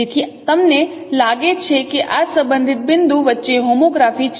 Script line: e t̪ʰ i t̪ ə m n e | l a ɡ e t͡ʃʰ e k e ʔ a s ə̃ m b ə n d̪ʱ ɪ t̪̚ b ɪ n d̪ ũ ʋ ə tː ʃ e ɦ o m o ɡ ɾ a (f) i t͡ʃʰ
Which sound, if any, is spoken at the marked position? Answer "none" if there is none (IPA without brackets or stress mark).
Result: f